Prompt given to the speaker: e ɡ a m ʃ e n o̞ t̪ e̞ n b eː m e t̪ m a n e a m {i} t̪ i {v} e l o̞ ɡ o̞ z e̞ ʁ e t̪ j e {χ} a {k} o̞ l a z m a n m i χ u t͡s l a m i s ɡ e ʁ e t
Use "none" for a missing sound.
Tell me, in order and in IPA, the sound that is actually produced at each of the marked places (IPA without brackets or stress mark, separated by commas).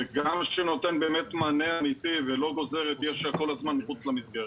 i, v, ʃ, k